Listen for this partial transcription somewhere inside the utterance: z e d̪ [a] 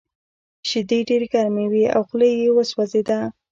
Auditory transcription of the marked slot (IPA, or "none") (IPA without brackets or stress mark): a